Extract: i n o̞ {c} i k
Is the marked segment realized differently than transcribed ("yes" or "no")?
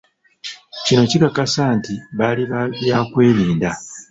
no